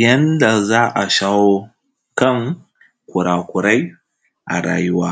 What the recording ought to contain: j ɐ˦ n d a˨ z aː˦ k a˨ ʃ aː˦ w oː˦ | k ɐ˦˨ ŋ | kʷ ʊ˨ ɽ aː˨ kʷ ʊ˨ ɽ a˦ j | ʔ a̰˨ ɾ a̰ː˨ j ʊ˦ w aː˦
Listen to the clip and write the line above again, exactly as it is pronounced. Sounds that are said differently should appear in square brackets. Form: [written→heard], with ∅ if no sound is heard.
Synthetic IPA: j ɐ˦ n d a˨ z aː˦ [k→ʔ] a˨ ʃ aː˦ w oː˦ | k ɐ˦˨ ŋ | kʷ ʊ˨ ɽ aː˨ kʷ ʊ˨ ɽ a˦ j | ʔ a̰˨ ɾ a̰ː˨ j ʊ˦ w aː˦

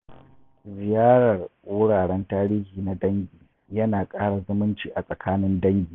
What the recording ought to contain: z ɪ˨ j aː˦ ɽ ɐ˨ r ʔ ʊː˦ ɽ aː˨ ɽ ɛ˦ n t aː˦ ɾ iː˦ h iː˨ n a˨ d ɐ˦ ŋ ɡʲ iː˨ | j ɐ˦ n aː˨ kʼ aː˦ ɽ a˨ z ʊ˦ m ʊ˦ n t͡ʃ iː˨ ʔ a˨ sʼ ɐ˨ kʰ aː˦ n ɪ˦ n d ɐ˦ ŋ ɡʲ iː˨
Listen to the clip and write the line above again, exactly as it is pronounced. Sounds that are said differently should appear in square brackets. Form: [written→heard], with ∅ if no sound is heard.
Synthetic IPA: z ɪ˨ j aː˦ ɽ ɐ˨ r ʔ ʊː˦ ɽ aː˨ ɽ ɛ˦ n t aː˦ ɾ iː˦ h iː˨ n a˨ d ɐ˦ ŋ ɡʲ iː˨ | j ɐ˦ n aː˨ kʼ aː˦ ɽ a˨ z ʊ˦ m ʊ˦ n t͡ʃ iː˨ ʔ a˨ sʼ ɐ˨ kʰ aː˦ n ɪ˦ n d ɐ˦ ŋ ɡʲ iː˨

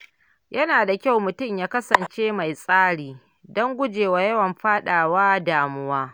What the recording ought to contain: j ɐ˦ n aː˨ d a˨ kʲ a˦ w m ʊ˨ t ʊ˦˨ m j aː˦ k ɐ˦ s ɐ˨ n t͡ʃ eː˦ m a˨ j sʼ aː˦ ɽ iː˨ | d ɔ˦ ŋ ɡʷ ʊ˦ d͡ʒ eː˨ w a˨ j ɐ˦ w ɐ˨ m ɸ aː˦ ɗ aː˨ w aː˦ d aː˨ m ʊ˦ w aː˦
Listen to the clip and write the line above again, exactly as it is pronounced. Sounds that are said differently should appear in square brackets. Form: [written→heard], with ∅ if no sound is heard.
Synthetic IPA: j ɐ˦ n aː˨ d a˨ kʲ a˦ w m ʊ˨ t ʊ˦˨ m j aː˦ k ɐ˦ s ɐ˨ n t͡ʃ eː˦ m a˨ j sʼ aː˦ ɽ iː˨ | d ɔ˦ ŋ ɡʷ ʊ˦ d͡ʒ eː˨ w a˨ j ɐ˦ w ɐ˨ m ɸ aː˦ ɗ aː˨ w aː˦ d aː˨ m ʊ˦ w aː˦

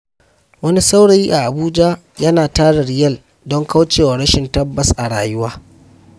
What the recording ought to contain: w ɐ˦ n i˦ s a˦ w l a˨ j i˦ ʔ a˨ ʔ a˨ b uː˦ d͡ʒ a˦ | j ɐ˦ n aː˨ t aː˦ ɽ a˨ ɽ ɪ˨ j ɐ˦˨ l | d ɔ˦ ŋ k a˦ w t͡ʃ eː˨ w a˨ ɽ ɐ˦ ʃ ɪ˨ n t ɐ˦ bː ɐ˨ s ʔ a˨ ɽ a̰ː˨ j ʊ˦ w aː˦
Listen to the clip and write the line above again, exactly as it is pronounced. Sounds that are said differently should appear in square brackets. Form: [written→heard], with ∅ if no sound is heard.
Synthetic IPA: w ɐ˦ n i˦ s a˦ w [l→ɽ] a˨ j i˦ ʔ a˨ ʔ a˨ b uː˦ d͡ʒ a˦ | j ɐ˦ n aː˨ t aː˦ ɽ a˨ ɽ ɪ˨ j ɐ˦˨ l | d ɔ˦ ŋ k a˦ w t͡ʃ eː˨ w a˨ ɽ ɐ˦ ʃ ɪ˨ n t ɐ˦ bː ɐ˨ s ʔ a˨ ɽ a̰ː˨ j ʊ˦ w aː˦

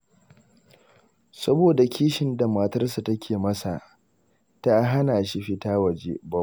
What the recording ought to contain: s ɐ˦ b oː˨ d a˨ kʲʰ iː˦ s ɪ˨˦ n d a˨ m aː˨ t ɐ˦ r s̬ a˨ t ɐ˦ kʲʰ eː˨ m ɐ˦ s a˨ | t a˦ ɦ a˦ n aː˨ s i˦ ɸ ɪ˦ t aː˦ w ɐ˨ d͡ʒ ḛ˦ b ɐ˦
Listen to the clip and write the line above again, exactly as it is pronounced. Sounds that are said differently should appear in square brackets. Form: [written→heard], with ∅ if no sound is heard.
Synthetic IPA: s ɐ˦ b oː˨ d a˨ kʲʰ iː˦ [s→ʃ] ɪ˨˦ n d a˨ m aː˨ t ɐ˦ r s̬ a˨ t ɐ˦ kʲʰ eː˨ m ɐ˦ s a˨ | t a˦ ɦ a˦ n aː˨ [s→ʃ] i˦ ɸ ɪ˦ t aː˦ w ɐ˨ d͡ʒ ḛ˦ b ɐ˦

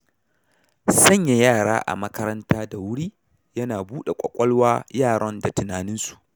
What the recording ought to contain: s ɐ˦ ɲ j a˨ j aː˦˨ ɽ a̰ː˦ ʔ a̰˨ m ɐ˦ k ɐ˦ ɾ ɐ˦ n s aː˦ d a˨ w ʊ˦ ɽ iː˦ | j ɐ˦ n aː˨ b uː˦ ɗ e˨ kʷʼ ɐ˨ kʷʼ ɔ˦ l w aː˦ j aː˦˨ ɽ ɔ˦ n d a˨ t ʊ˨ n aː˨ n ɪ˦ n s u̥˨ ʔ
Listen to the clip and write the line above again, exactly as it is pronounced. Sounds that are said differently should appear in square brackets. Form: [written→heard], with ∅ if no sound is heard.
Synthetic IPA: s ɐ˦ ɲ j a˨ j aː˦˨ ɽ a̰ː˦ ʔ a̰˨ m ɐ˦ k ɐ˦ ɾ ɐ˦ n [s→t] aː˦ d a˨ w ʊ˦ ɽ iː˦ | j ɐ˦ n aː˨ b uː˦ ɗ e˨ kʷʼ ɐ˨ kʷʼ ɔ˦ l w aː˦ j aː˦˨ ɽ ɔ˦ n d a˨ t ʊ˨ n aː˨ n ɪ˦ n s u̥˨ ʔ

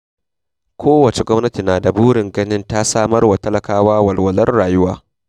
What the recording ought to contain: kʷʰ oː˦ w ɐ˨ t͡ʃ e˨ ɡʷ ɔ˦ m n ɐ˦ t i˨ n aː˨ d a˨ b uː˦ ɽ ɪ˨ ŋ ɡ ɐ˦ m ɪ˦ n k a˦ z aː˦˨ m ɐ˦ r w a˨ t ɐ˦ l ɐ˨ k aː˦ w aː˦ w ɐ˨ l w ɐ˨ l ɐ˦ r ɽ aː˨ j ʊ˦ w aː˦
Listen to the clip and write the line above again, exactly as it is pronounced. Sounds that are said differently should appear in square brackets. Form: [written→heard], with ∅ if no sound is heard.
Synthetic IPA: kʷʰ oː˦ w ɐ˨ t͡ʃ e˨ ɡʷ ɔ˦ m n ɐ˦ t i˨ n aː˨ d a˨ b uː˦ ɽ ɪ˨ ŋ ɡ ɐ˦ [m→n] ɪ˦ n [k→t] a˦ [z→s] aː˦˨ m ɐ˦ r w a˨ t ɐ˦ l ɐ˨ k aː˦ w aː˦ w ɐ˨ l w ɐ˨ l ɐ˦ r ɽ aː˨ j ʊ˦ w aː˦

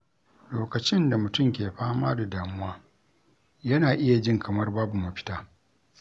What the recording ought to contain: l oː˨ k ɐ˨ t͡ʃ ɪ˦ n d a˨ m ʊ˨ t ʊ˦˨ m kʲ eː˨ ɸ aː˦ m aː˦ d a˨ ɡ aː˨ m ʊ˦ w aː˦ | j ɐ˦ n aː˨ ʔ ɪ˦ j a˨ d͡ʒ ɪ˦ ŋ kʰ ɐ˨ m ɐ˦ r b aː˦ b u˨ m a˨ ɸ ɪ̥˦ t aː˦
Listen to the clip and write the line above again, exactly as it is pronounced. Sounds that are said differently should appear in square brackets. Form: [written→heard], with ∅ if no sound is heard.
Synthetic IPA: l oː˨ k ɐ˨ t͡ʃ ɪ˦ n d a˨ m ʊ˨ t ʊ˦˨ m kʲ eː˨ ɸ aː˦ m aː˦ d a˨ [ɡ→d] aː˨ m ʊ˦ w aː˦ | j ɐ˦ n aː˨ ʔ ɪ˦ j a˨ d͡ʒ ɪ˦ ŋ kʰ ɐ˨ m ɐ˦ r b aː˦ b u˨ m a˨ ɸ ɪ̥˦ t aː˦

